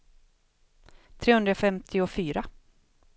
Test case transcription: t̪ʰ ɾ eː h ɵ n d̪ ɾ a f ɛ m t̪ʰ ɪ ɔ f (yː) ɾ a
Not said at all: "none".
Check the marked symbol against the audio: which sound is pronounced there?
yː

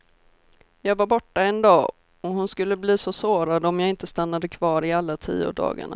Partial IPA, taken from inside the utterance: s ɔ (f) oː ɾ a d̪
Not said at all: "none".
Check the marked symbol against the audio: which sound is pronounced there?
s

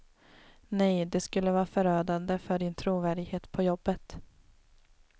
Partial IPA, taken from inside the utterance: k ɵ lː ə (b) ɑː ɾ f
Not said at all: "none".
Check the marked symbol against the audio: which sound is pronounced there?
v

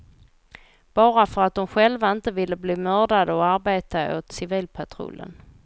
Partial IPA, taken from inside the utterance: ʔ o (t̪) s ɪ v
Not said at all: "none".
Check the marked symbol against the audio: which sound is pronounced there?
t̪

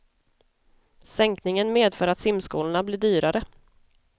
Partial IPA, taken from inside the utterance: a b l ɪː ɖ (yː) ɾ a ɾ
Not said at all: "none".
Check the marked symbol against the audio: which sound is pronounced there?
yː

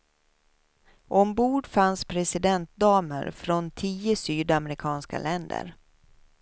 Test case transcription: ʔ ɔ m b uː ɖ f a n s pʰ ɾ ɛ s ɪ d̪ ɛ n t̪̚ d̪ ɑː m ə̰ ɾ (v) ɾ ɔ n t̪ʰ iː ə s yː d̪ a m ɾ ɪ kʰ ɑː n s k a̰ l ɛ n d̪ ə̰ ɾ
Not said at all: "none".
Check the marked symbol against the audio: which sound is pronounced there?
f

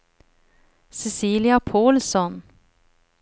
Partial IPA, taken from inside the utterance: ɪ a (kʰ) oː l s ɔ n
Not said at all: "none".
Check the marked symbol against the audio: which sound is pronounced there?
pʰ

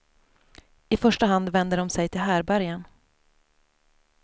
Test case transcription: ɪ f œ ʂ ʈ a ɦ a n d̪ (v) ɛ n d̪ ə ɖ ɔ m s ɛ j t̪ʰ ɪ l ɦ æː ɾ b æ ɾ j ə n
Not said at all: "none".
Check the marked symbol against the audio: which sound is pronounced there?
v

